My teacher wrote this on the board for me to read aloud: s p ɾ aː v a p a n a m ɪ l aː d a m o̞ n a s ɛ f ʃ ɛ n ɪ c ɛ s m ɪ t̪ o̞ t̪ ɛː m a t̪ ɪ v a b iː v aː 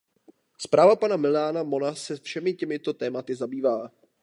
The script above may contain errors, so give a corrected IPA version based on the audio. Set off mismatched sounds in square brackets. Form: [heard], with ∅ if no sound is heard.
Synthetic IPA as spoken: s p ɾ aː v a p a n a m ɪ l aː [n] a m o̞ n a s ɛ f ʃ ɛ [m] ɪ c ɛ [∅] m ɪ t̪ o̞ t̪ ɛː m a t̪ ɪ [z] a b iː v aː